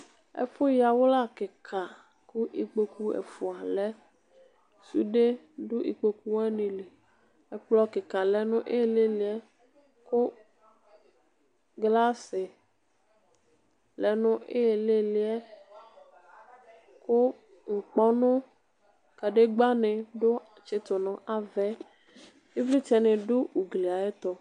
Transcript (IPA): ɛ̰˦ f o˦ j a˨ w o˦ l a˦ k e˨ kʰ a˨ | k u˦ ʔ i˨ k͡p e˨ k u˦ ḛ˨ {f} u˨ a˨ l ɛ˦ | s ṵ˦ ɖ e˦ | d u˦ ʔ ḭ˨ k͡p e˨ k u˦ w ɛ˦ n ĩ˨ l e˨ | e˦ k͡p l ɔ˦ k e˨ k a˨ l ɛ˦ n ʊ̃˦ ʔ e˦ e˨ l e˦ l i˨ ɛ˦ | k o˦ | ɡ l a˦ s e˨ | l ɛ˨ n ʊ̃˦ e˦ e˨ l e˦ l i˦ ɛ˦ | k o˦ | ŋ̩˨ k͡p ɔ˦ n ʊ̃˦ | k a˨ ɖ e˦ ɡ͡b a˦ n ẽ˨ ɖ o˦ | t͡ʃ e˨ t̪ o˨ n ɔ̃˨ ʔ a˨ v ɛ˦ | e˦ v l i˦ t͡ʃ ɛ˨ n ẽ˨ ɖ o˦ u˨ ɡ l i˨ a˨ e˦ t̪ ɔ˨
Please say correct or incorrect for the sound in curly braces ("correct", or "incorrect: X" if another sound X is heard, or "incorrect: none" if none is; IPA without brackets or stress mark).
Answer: correct